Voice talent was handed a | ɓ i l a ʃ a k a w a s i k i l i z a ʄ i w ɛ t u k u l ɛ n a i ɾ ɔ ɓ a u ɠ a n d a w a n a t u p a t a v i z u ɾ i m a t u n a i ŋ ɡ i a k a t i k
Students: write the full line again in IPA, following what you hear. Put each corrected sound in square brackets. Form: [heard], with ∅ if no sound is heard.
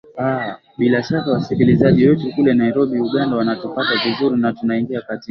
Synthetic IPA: a | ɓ i l a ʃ a k a w a s i k i l i z a ʄ i w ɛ t u k u l ɛ n a i ɾ ɔ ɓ [i] u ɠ a n d a w a n a t u p a t a v i z u ɾ i [n] a t u n a i ŋ ɡ i a k a t i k